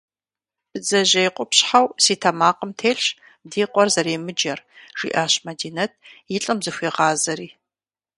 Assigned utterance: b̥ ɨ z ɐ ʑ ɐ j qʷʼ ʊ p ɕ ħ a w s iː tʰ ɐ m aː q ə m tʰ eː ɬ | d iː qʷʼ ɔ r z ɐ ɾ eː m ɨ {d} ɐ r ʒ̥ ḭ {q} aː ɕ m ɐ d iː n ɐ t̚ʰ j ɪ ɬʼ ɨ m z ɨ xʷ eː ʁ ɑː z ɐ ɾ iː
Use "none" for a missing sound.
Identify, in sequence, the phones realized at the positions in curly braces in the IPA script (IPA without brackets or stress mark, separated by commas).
d͡ʒ, ʔ